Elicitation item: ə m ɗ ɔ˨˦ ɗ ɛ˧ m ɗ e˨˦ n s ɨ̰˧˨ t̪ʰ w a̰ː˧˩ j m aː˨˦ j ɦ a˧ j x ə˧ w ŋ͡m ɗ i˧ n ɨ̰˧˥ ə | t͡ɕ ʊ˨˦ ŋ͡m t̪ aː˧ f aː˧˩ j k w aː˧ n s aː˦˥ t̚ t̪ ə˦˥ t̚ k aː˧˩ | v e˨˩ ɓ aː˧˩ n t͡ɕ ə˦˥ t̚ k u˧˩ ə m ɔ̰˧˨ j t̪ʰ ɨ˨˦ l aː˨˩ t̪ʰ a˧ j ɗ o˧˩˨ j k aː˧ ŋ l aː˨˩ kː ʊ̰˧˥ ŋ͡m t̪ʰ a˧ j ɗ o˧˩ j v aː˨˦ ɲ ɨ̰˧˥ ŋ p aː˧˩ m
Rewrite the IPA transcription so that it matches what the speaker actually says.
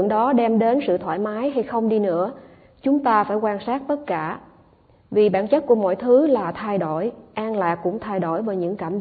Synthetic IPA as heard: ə ŋ ɗ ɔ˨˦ ɗ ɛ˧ m ɗ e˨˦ n s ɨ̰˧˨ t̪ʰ w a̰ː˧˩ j m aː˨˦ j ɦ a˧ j x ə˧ w ŋ͡m ɗ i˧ n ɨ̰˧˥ ə | t͡ɕ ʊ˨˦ ŋ͡m t̪ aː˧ f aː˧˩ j k w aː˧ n s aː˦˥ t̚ t̪ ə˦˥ t̚ k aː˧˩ | v i˨˩ ɓ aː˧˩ n t͡ɕ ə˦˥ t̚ k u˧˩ ə m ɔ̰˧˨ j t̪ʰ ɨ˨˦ l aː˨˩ t̪ʰ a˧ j ɗ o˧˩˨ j ʔ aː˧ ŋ l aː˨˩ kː ʊ̰˧˥ ŋ͡m t̪ʰ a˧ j ɗ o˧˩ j v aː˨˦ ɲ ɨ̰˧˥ ŋ k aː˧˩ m